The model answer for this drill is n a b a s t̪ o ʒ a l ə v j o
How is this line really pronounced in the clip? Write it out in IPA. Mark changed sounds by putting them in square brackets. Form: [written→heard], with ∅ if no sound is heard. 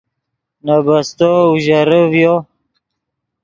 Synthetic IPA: n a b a s t̪ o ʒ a [l→ɾ] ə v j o